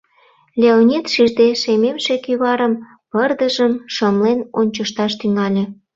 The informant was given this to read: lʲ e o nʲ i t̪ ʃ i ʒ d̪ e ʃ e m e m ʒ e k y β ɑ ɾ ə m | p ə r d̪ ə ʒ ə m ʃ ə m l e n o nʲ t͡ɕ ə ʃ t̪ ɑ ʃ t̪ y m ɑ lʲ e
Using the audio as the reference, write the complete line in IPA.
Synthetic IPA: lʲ e o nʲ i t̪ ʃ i ʒ d̪ e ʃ e m e m ʃ e k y β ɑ ɾ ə m | p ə r d̪ ə ʒ ə m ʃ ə m l e n o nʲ t͡ɕ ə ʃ t̪ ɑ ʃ t̪ y ŋ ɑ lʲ e

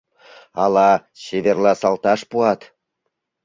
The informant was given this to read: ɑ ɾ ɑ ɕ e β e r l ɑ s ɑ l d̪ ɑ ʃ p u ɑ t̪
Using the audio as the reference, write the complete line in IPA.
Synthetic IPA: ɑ l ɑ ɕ e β e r l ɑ s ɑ l t̪ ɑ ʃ p u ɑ t̪

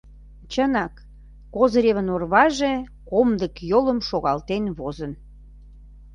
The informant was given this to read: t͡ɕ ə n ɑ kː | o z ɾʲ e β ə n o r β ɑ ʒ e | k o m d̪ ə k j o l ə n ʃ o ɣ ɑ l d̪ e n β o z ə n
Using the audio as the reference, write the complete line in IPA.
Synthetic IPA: t͡ɕ ə n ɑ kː | o z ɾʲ e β ə n o r β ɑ ʒ e | k o m d̪ ə k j o l ə m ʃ o ɣ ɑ l t̪ e n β o z ə n

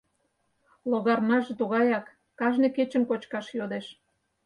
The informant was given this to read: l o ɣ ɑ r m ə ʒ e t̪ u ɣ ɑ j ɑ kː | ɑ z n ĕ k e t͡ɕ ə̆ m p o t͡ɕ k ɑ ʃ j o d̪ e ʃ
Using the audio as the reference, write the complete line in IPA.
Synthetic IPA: l o ɣ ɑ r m ɑ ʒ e t̪ u ɣ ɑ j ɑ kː | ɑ ʒ n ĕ k e t͡ɕ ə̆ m k o t͡ɕ k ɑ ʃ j o d̪ e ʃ

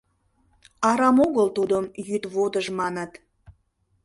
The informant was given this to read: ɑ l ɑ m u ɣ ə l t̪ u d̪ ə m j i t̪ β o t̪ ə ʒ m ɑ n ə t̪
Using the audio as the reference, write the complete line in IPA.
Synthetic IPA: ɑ ɾ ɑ m o ɣ ə l t̪ u d̪ ə m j y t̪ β o d̪ ə ʒ m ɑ n ə t̪

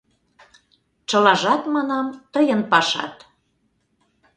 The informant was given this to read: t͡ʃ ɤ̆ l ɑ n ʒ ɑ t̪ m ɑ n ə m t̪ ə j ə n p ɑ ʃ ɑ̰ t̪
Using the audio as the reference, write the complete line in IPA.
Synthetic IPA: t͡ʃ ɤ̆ l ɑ ʒ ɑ t̪ m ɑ n ɑ m t̪ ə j ə n p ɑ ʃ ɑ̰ t̪

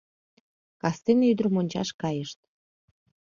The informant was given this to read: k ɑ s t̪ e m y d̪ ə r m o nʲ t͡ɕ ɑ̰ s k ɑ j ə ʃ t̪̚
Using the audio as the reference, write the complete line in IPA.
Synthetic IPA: k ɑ s t̪ e n y d̪ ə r m o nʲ t͡ɕ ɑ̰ ʃ k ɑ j ə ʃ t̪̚

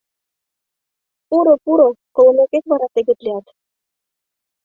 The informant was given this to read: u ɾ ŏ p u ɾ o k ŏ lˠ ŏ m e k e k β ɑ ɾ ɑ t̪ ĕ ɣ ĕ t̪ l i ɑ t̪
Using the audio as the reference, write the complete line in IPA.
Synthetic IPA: u ɾ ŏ p u ɾ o k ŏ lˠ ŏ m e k e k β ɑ ɾ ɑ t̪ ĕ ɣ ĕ t̪ l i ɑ t̪

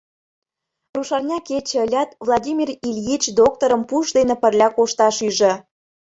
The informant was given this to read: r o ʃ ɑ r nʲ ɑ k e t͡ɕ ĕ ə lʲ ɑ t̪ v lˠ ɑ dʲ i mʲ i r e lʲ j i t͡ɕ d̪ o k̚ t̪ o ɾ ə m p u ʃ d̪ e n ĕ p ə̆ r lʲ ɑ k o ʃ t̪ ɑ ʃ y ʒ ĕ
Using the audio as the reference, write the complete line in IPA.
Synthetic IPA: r u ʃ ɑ r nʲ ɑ k e t͡ɕ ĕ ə lʲ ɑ t̪ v lˠ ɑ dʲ i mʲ i r i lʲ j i t͡ɕ d̪ o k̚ t̪ o ɾ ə m p u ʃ d̪ e n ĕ p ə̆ r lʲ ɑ k o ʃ t̪ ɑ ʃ y ʒ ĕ

